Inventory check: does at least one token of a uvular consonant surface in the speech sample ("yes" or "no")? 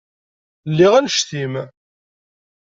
yes